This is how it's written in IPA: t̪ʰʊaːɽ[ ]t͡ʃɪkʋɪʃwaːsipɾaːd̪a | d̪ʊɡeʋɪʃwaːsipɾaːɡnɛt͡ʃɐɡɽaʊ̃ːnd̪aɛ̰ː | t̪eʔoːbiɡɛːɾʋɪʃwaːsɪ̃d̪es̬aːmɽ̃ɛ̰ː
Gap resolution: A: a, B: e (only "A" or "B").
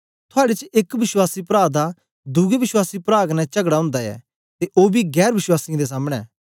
B